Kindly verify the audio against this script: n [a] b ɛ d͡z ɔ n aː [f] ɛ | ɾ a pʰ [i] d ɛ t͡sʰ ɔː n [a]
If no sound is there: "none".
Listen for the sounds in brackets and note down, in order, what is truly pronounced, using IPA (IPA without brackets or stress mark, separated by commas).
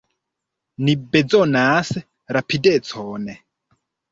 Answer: i, s, i, ɛ